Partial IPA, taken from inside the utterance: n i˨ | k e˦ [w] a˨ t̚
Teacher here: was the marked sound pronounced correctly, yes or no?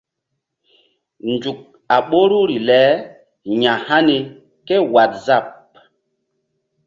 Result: yes